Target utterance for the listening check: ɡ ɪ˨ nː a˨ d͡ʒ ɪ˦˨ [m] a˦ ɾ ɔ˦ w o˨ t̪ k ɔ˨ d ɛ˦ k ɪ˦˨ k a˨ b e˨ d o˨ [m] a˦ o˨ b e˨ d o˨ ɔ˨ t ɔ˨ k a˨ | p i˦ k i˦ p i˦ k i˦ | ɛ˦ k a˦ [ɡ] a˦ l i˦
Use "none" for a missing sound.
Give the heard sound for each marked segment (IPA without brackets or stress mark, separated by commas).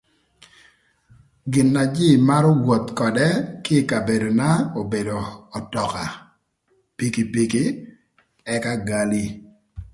m, n, ɡ